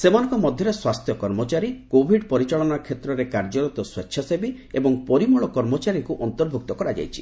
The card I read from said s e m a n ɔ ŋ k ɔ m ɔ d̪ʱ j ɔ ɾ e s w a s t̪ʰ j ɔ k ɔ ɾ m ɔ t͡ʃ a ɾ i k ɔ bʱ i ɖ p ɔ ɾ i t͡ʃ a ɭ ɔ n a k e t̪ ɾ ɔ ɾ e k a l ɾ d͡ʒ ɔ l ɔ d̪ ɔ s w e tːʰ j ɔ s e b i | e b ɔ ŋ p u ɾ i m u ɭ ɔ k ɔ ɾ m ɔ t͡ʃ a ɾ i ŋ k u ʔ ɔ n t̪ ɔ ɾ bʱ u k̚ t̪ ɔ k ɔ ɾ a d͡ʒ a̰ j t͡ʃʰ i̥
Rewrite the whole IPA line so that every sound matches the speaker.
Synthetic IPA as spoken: s e m a n ɔ ŋ k ɔ m ɔ d̪ʱ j ɔ ɾ e s w a s t̪ʰ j ɔ k ɔ ɾ m ɔ t͡ʃ a ɾ i k o bʱ i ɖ p ɔ ɾ i t͡ʃ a ɭ ɔ n a kʰ e t̪ ɾ ɔ ɾ e k a ɾ d͡ʒ ɔ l ɔ t̪ ɔ s w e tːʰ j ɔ s e b i | e b ɔ ŋ p ɔ ɾ i m u ɭ ɔ k ɔ ɾ m ɔ t͡ʃ a ɾ i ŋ k u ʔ ɔ n t̪ ɔ ɾ bʱ u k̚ t̪ ɔ k ɔ ɾ a d͡ʒ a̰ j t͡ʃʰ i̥

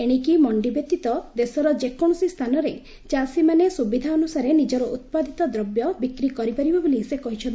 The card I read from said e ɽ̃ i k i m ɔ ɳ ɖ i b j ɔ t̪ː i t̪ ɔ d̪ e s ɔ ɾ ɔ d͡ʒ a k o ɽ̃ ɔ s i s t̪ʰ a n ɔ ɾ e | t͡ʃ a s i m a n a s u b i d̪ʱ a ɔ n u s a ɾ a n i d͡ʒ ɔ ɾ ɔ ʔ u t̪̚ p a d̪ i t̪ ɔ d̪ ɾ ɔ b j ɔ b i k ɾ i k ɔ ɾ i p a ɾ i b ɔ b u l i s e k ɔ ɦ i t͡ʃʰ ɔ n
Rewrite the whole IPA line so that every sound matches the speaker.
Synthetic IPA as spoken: e ɽ̃ i k i m ɔ ɳ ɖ i b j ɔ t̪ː i t̪ ɔ d̪ e s ɔ ɾ ɔ d͡ʒ e k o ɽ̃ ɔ s i s t̪ʰ a n ɔ ɾ e | t͡ʃ a s i m a n e s u b i d̪ʱ a ɔ n u s a ɾ e n i d͡ʒ ɔ ɾ ɔ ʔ u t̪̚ p a d̪ i t̪ ɔ d̪ ɾ ɔ b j ɔ b i k ɾ i k ɔ ɾ i p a ɾ i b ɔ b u l i s e k ɔ ɦ i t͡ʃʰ ɔ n

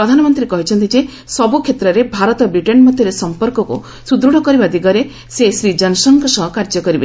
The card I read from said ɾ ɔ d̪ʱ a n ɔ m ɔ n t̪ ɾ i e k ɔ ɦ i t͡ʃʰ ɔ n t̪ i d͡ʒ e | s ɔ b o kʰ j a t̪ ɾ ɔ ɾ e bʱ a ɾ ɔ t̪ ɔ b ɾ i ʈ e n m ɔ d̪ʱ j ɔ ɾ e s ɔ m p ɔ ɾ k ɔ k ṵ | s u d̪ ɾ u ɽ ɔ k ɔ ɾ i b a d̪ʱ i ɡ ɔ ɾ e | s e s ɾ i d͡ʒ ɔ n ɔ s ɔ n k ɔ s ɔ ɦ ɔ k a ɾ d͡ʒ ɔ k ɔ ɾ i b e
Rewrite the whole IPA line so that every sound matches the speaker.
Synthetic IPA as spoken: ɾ ɔ d̪ʱ a n ɔ m ɔ n t̪ ɾ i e k ɔ ɦ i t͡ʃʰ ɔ n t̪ i d͡ʒ e | s ɔ b u kʰ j e t̪ ɾ ɔ ɾ e bʱ a ɾ ɔ t̪ ɔ b ɾ i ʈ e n m ɔ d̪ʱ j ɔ ɾ e s ɔ m p ɔ ɾ k ɔ k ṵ | s u d̪ ɾ u ɽ ɔ k ɔ ɾ i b a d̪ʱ i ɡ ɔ ɾ e | s e s ɾ i d͡ʒ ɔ n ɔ s ɔ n k ɔ s ɔ ɦ ɔ k a ɾ d͡ʒ ɔ k ɔ ɾ i b e

